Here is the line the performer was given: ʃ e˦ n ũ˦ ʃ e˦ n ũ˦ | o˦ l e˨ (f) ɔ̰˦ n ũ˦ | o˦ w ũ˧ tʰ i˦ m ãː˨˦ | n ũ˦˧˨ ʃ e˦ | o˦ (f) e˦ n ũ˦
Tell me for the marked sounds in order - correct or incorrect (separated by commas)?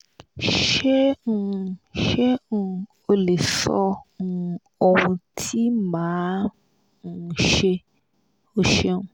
incorrect, incorrect